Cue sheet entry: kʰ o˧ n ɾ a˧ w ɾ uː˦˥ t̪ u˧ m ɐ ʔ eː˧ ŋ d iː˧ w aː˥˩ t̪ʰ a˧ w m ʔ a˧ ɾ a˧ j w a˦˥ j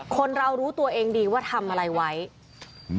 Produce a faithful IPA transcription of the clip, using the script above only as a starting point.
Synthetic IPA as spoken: kʰ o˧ n ɾ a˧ w ɾ uː˦˥ t̪ u˧ ɐ ʔ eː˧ ŋ d iː˧ w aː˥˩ t̪ʰ a˧ m ʔ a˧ ɾ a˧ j w a˦˥ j